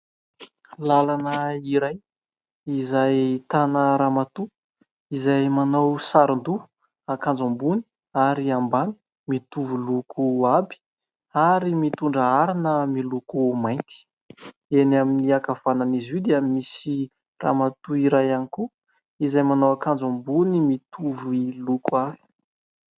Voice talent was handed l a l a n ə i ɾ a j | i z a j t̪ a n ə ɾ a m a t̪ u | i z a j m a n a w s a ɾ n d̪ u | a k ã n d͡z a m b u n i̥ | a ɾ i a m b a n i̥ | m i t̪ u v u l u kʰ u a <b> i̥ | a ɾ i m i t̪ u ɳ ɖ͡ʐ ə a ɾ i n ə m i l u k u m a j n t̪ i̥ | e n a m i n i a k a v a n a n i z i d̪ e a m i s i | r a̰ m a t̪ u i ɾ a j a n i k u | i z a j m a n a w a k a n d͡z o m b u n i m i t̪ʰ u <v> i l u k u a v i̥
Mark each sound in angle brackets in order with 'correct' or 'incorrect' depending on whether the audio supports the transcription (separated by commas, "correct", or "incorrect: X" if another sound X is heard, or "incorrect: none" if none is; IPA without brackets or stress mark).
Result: correct, correct